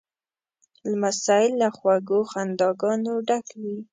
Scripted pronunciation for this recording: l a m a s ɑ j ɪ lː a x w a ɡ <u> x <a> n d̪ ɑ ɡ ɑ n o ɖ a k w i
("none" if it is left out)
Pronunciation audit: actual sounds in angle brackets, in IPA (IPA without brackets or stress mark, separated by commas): o, a